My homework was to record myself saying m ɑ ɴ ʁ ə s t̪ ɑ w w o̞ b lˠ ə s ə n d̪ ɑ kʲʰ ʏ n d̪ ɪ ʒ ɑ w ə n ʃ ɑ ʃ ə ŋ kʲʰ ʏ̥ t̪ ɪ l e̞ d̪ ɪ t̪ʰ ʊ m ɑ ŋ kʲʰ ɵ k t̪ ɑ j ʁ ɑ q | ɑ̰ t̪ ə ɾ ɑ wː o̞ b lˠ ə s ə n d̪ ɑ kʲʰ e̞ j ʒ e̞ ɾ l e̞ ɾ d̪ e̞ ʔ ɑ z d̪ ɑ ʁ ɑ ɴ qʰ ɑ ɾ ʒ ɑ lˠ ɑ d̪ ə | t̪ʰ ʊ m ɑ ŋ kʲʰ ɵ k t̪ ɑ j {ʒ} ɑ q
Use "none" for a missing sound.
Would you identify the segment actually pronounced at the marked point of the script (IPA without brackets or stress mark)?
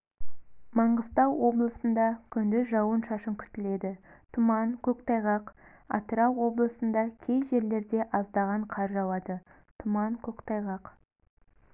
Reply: ʁ